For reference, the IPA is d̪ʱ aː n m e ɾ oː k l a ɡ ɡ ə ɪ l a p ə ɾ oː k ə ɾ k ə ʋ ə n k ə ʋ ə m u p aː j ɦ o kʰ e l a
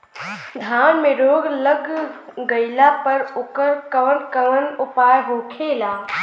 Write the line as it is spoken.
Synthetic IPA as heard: d̪ʱ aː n m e ɾ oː ɡ l ə ɡ ɡ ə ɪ l a p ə ɾ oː k ə ɾ k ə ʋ ə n k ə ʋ ə n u p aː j ɦ o kʰ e l a

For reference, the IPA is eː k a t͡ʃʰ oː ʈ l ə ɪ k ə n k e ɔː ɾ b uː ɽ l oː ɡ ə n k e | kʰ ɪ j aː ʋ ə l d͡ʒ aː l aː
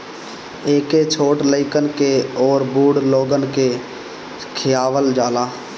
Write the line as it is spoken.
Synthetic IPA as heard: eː k e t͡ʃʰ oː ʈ l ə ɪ k ə n k e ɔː ɾ b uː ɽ l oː ɡ ə n k e | kʰ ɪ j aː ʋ ə l d͡ʒ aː l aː

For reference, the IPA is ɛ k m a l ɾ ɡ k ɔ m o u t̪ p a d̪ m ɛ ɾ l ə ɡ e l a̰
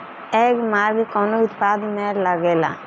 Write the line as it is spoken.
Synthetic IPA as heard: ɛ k m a ɾ ɡ k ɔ n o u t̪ p a d̪ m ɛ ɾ l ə ɡ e l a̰

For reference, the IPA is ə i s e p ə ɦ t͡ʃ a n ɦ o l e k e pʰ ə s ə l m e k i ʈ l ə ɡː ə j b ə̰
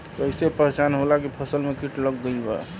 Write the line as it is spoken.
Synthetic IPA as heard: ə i s e p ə ɦ t͡ʃ a n ɦ o l a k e pʰ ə s ə l m e k i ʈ l ə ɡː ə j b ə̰

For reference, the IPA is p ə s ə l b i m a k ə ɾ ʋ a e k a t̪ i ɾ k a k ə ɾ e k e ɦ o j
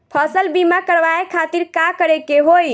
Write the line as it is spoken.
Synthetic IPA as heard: pʰ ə s ə l b i m a k ə ɾ ʋ a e kʰ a t̪ i ɾ k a k ə ɾ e k e ɦ o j

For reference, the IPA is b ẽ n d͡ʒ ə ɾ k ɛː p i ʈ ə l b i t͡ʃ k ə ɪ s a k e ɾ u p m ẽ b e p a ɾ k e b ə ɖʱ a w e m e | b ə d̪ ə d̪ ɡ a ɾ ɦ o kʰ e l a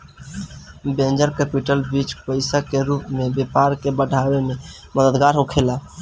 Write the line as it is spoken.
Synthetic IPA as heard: b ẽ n d͡ʒ ə ɾ k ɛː p i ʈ ə l b i t͡ʃ p ə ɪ s a k e ɾ u p m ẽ b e p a ɾ k e b ə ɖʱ a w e m e | m ə d̪ ə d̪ ɡ a ɾ ɦ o kʰ e l a

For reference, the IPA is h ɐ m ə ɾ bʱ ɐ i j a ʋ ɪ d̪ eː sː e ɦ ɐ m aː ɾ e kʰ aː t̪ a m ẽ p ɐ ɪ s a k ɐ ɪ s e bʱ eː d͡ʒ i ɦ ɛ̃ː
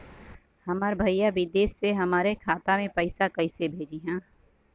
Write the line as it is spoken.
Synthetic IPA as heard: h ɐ m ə ɾ bʱ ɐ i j a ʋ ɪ d̪ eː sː e ɦ ɐ m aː ɾ e kʰ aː t̪ a m ẽ p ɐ ɪ s a k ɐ ɪ s e bʱ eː d͡ʒ i ɦ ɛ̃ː

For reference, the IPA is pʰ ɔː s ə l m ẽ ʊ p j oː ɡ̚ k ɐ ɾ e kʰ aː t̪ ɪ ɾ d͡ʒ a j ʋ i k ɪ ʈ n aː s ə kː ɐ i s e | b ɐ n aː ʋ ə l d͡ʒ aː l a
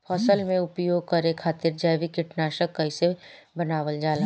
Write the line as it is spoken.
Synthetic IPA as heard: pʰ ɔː s ə l m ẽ ʊ p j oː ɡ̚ k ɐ ɾ e kʰ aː t̪ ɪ ɾ d͡ʒ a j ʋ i k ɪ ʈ n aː ʃ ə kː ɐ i s e | b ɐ n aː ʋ ə l d͡ʒ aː l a

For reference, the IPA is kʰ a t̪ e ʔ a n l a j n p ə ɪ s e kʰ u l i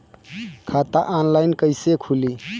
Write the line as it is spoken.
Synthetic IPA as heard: kʰ a t̪ a ʔ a n l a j n k ə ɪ s e kʰ u l i

